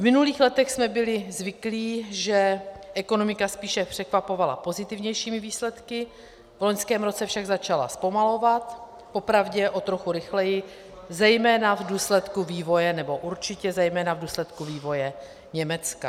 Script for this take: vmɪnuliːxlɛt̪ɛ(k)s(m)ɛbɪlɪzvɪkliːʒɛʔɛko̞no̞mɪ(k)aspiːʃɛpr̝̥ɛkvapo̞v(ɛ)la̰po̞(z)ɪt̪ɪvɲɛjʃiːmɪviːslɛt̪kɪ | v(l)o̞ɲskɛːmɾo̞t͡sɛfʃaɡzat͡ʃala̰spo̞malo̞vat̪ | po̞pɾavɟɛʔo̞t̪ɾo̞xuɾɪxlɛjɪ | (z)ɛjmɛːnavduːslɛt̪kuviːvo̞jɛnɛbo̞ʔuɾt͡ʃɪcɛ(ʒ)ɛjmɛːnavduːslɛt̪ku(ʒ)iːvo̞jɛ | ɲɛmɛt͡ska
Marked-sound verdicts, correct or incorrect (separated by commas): incorrect, correct, correct, incorrect, correct, correct, correct, incorrect, incorrect